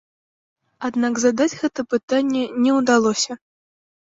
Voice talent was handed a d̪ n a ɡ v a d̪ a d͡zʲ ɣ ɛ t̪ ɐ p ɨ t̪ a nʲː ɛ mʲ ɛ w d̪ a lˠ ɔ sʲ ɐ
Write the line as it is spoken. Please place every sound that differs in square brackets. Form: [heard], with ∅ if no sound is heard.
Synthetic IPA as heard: a d̪ n a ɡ [z] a d̪ a d͡zʲ ɣ ɛ t̪ ɐ p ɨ t̪ a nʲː ɛ [nʲ] ɛ w d̪ a lˠ ɔ sʲ ɐ